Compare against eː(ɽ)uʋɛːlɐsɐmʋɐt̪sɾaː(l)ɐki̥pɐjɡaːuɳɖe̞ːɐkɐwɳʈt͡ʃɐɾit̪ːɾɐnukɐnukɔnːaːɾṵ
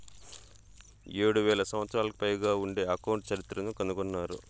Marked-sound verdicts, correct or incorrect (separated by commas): correct, correct